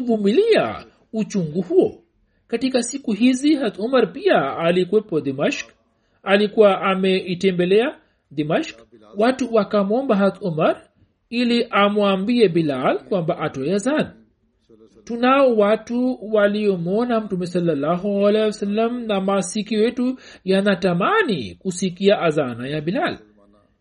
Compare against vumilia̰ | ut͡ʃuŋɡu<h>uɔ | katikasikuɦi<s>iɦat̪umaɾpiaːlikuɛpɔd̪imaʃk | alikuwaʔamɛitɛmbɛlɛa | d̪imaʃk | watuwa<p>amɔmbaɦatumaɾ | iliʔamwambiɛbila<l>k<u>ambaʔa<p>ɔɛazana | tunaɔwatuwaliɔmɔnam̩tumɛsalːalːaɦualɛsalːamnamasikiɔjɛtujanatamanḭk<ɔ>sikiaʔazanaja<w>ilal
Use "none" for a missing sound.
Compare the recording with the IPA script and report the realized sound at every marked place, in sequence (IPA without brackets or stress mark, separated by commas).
h, z, k, l, w, t, u, b